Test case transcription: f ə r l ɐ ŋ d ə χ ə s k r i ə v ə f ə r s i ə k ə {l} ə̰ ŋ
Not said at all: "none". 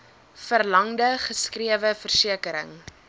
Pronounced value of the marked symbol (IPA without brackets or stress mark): ɾ